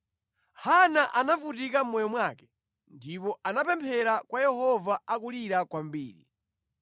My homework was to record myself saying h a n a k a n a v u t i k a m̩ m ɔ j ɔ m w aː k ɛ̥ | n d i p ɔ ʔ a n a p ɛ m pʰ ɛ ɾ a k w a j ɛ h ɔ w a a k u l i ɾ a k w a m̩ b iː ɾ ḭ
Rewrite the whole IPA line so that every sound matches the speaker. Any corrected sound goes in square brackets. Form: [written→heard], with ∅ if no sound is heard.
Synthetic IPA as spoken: h a n a [k→ʔ] a n a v u t i k a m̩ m ɔ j ɔ m w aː k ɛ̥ | n d i p ɔ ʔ a n a p ɛ m pʰ ɛ ɾ a k w a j ɛ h ɔ [w→v] a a k u l i ɾ a k w a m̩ b iː ɾ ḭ